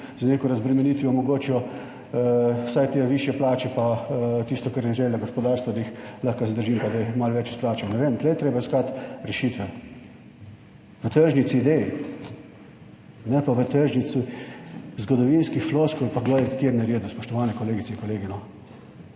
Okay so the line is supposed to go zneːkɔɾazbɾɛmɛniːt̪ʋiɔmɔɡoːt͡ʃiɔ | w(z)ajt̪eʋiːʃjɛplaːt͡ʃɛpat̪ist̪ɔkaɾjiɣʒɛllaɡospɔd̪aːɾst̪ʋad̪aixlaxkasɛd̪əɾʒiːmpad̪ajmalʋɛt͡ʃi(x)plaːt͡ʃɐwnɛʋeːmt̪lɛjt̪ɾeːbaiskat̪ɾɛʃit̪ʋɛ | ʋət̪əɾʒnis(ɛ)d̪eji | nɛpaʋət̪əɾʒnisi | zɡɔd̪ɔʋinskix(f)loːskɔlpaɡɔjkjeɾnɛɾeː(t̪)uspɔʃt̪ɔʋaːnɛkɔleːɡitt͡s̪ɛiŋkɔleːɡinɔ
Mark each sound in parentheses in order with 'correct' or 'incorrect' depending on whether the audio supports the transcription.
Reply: incorrect, incorrect, incorrect, correct, incorrect

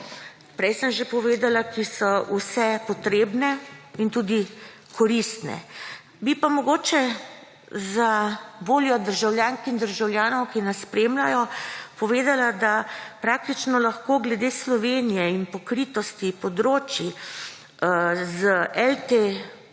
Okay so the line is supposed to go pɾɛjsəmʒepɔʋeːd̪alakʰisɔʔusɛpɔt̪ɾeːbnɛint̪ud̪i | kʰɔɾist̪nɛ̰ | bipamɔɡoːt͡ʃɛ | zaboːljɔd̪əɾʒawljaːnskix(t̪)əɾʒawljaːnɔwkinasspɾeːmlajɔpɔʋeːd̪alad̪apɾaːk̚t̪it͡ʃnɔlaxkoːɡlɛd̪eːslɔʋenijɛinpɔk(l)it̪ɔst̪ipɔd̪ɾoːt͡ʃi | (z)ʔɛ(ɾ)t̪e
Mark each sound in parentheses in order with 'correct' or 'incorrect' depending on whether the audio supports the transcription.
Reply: incorrect, incorrect, correct, incorrect

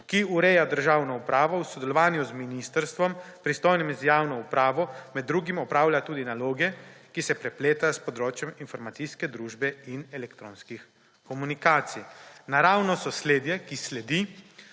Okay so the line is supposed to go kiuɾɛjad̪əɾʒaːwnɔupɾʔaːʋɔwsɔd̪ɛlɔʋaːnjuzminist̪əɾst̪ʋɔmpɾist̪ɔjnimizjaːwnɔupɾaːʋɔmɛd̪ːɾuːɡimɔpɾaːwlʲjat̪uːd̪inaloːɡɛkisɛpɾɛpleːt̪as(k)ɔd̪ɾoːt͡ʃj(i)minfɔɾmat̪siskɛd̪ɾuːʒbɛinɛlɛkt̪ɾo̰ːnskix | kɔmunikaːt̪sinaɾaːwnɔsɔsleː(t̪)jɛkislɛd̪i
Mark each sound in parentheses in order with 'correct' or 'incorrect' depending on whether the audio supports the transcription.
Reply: incorrect, incorrect, incorrect

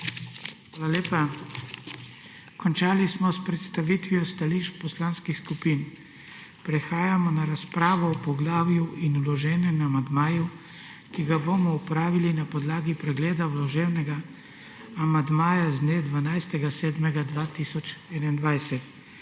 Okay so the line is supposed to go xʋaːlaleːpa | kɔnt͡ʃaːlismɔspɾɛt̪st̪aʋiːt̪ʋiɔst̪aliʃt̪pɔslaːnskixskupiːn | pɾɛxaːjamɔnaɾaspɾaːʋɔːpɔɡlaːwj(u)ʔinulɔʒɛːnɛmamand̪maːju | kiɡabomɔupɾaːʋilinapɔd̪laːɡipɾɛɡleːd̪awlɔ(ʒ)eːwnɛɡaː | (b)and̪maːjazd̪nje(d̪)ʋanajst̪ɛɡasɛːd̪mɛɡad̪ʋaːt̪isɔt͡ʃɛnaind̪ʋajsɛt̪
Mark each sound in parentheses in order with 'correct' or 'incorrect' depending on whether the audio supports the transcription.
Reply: correct, correct, incorrect, correct

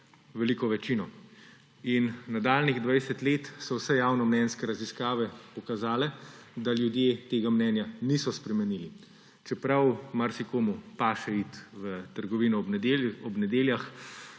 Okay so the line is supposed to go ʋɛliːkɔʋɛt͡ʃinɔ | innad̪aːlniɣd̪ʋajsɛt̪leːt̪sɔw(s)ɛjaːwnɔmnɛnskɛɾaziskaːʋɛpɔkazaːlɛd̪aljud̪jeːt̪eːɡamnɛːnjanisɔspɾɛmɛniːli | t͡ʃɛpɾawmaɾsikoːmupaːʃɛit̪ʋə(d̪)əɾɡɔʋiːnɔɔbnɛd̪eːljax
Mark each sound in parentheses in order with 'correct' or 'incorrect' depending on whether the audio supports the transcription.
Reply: correct, incorrect

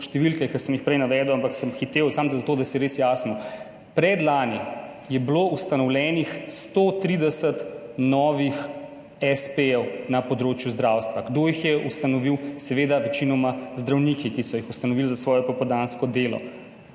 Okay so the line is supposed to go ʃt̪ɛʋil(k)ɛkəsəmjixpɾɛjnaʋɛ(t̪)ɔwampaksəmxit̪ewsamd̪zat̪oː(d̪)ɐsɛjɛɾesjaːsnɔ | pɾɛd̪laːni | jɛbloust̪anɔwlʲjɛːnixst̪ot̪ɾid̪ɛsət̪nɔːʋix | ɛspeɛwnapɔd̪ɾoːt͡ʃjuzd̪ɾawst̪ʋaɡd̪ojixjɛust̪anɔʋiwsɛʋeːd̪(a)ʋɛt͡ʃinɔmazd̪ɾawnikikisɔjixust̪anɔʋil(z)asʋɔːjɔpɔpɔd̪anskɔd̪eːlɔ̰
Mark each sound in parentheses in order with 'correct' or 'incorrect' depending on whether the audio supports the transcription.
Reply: correct, incorrect, correct, correct, correct

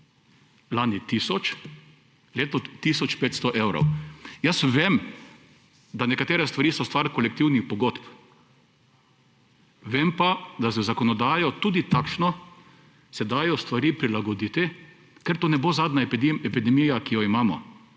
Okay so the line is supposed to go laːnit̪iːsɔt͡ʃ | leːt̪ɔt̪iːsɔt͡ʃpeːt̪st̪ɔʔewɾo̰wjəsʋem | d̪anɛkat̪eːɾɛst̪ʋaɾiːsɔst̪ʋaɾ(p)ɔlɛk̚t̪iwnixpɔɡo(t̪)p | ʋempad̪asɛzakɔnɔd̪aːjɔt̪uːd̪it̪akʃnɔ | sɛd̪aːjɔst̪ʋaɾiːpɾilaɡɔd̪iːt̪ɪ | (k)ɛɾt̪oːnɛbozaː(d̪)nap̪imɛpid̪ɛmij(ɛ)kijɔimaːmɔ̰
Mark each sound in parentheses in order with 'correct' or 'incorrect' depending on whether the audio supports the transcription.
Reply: incorrect, correct, correct, correct, incorrect

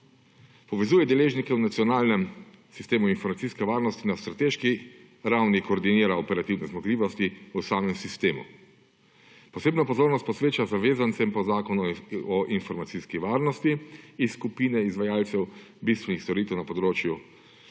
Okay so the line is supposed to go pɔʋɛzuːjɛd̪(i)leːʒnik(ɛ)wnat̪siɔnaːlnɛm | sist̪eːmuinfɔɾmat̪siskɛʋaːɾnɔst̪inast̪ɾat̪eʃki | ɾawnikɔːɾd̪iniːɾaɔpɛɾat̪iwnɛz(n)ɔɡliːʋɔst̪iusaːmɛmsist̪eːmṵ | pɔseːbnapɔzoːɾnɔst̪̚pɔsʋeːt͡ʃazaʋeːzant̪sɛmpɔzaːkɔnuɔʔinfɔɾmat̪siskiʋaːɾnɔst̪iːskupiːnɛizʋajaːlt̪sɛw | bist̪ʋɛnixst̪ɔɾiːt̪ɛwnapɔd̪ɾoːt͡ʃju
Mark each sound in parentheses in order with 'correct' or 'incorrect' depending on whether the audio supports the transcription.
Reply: incorrect, correct, incorrect

